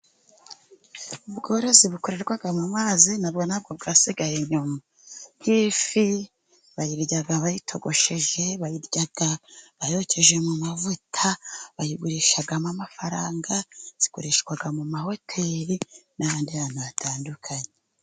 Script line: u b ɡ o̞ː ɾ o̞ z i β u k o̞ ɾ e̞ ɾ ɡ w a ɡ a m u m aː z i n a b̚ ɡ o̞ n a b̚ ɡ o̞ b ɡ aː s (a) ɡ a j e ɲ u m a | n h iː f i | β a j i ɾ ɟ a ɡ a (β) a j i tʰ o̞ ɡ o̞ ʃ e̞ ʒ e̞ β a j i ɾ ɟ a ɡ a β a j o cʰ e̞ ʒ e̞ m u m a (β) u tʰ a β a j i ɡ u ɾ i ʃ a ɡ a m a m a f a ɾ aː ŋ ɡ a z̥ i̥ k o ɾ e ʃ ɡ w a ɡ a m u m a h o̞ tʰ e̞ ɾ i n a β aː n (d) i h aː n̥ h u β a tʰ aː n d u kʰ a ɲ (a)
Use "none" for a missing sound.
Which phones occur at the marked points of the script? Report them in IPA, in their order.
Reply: i, β, v, d, e

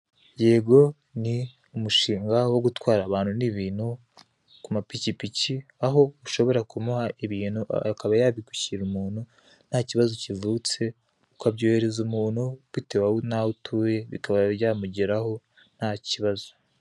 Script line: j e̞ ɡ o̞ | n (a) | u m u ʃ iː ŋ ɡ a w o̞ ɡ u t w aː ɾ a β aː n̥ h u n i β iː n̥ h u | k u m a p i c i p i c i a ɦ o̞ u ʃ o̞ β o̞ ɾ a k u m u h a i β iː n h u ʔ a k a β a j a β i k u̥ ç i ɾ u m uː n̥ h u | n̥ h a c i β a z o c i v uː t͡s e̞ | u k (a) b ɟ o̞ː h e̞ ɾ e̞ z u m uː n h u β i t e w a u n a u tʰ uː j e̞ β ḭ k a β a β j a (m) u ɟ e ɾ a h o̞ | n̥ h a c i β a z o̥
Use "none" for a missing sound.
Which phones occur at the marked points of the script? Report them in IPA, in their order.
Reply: i, a, m

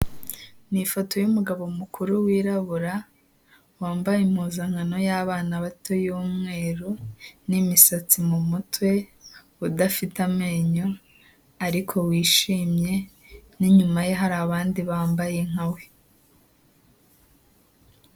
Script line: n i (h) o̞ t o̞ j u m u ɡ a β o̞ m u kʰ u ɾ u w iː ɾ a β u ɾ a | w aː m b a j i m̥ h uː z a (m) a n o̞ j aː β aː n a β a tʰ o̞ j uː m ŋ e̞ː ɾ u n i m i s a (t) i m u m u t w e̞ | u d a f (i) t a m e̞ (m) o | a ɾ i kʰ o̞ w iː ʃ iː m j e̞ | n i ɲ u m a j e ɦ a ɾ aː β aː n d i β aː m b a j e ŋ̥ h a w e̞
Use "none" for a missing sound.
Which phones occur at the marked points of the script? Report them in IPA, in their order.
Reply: f, ŋ, t͡s, i, ɲ

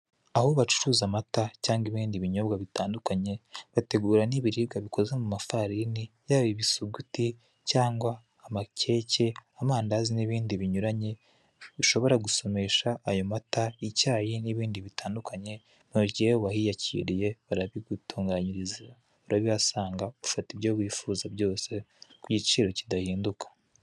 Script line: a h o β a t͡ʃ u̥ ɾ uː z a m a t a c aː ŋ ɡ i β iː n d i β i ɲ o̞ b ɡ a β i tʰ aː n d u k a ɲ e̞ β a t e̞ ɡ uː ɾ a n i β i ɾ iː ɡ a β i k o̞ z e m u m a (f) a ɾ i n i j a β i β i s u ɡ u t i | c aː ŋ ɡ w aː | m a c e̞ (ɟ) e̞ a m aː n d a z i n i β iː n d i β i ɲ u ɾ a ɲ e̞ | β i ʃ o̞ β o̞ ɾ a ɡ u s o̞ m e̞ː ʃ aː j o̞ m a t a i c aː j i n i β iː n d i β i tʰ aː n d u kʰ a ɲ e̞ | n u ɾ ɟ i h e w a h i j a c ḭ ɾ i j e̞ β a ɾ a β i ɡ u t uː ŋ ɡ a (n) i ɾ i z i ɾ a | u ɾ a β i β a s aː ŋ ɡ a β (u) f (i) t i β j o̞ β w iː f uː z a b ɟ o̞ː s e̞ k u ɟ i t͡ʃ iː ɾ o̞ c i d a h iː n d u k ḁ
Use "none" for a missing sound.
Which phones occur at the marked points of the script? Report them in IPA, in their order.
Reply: f, c, ɲ, u, a

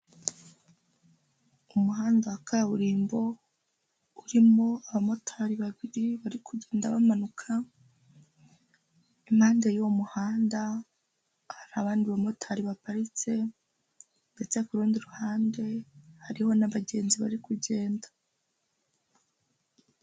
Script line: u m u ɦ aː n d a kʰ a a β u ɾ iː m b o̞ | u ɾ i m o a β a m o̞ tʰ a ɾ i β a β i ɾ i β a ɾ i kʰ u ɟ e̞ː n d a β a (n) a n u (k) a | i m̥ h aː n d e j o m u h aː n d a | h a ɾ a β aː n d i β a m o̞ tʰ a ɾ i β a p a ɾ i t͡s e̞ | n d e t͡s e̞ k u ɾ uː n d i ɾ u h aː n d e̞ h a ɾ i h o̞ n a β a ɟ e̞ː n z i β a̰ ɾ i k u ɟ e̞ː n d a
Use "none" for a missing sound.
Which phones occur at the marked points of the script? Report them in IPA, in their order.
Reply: m, kʰ

